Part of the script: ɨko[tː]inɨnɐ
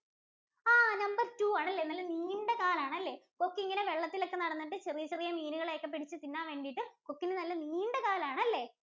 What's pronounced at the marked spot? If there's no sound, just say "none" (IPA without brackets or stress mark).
kː